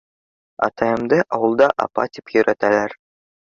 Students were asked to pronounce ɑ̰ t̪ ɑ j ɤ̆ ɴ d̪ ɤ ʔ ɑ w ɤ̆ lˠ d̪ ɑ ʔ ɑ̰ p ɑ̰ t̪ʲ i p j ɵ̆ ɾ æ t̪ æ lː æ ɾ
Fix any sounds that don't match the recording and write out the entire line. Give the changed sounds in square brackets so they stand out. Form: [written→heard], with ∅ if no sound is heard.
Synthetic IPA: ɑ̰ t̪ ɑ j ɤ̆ [ɴ→m] d̪ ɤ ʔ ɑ w ɤ̆ lˠ d̪ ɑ ʔ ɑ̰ p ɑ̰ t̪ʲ i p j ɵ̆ ɾ æ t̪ æ [lː→l] æ ɾ